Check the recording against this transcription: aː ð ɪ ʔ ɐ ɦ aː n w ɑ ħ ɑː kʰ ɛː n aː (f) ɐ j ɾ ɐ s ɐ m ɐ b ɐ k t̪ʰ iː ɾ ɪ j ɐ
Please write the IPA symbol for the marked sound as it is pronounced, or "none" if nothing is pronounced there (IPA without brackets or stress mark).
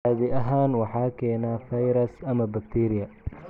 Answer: f